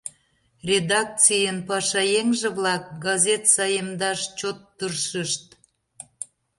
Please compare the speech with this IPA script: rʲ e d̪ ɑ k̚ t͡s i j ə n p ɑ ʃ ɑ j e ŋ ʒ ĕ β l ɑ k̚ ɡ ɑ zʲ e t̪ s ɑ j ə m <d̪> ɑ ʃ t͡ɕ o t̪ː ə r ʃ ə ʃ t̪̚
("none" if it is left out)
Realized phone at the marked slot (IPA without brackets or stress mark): d̪